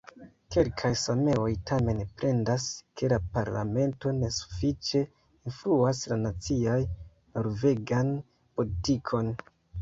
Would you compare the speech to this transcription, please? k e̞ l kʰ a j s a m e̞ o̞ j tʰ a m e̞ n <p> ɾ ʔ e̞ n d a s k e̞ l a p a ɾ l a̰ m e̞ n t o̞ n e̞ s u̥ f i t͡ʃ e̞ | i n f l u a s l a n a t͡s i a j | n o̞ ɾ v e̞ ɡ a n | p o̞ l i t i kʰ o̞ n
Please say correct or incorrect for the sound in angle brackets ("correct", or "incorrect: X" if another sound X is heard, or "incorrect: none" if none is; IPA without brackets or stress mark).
correct